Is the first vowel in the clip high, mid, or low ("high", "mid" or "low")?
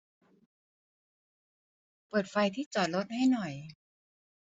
mid